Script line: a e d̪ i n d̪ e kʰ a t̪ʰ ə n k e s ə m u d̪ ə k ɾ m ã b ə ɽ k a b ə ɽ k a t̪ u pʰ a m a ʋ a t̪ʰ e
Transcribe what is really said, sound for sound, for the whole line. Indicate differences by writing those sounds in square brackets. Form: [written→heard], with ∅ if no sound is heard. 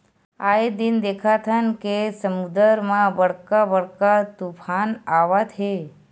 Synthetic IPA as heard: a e d̪ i n d̪ e kʰ a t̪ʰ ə n k e s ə m u d̪ ə [k→∅] ɾ m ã b ə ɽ k a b ə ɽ k a t̪ u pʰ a [m→n] a ʋ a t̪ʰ e